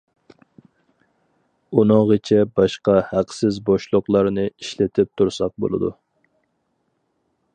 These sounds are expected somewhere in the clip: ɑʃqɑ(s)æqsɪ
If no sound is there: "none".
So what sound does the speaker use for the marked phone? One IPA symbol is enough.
h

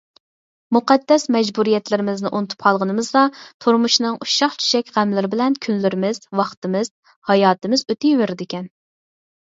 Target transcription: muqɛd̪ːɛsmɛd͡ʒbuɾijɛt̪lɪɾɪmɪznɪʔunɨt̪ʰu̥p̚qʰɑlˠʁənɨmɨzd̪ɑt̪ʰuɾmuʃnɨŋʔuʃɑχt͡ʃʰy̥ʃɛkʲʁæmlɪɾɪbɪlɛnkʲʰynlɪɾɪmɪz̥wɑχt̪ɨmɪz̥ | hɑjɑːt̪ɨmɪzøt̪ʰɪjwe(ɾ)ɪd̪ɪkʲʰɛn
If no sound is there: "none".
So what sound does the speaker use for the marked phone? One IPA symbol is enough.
ɾ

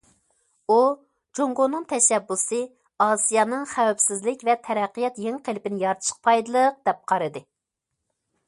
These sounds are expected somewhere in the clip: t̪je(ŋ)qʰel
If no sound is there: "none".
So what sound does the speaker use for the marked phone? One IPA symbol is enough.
ŋ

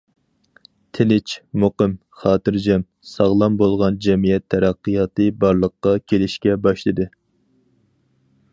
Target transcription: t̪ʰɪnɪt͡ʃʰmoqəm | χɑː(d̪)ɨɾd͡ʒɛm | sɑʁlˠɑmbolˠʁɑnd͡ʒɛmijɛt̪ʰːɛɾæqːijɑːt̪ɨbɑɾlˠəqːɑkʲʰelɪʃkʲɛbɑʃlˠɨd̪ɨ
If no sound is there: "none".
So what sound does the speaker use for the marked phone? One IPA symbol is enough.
t̪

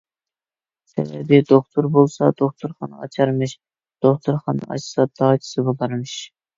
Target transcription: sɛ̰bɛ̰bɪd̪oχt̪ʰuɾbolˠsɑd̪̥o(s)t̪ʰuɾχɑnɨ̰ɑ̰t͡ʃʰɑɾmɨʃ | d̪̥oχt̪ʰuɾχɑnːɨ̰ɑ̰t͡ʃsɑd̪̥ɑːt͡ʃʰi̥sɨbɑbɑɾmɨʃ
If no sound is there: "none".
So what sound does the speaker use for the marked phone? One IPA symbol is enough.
χ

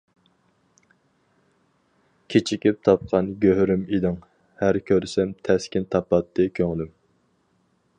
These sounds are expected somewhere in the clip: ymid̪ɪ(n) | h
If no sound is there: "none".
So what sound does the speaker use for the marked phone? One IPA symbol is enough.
ŋ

